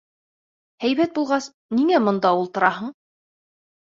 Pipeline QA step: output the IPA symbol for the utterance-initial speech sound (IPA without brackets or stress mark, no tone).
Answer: h